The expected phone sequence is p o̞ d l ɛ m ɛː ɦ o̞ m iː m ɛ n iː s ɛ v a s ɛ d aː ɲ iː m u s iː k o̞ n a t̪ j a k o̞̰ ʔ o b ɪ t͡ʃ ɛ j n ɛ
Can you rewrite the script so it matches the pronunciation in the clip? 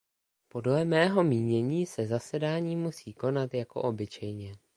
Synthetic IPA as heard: p o̞ d l ɛ m ɛː ɦ o̞ m iː ɲ ɛ ɲ iː s ɛ z a s ɛ d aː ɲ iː m u s iː k o̞ n a t̪ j a k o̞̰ ʔ o b ɪ t͡ʃ ɛ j ɲ ɛ